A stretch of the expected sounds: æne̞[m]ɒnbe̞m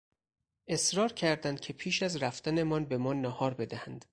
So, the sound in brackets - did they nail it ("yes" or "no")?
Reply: yes